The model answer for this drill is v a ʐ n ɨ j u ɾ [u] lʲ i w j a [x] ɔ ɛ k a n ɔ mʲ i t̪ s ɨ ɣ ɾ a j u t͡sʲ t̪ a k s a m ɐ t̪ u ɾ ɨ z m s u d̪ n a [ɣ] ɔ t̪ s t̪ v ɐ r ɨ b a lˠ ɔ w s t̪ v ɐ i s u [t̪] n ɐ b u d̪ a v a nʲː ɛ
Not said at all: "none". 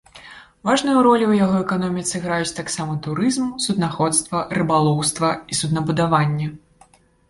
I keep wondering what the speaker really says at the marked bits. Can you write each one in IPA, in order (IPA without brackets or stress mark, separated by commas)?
ɔ, ɣ, x, d̪